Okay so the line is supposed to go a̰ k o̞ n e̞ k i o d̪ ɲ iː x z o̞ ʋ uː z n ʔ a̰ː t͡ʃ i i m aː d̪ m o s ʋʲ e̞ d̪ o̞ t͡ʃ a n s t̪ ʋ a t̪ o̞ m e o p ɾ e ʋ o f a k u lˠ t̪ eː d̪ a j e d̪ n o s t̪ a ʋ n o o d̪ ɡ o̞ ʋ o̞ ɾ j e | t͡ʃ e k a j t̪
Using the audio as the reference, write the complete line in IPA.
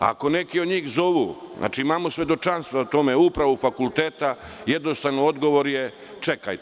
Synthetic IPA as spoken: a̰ k o̞ n e̞ k i o d̪ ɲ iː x z o̞ ʋ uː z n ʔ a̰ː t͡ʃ i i m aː m o s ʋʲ e̞ d̪ o̞ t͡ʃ a n s t̪ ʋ a t̪ o̞ m e u p ɾ a ʋ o f a k u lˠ t̪ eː t̪ a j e d̪ n o s t̪ a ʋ n o o d̪ ɡ o̞ ʋ o̞ ɾ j e | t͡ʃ e k a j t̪